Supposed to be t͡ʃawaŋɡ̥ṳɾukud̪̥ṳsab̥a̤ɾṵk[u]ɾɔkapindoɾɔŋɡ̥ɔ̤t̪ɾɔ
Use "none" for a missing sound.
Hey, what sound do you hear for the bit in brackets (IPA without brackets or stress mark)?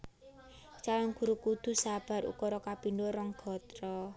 ɔ